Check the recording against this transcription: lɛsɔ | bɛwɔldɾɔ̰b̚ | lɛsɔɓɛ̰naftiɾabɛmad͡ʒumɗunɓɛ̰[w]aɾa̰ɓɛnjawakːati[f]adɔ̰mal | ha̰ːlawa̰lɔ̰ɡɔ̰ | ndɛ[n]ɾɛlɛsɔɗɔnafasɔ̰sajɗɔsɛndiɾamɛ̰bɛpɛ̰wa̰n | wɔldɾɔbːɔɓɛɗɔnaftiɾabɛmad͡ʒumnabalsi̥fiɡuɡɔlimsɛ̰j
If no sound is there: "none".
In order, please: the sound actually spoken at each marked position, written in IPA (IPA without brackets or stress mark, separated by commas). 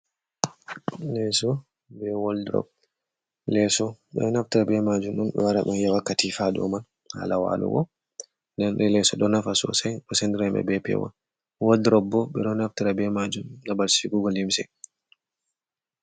w, f, n